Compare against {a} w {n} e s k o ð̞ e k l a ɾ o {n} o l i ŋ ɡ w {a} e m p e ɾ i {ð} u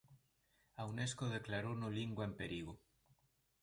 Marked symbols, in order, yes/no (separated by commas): yes, yes, yes, yes, no